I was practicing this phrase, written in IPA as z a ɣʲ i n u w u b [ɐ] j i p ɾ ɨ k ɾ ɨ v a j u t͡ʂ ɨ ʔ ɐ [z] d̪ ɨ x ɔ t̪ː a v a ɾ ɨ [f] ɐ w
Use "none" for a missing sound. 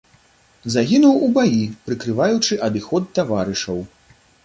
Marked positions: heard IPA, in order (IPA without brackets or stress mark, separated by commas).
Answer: a, none, ʂ